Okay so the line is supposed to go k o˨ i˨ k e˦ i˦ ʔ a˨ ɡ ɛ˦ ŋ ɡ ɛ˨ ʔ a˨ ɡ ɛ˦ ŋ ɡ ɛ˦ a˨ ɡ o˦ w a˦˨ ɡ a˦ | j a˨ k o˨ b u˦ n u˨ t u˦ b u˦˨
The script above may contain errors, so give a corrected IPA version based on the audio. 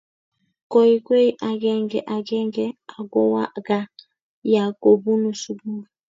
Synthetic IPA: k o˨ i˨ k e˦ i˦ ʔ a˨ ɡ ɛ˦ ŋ ɡ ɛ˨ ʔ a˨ ɡ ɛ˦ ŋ ɡ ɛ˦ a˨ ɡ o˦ w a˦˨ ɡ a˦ | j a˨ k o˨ b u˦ n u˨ s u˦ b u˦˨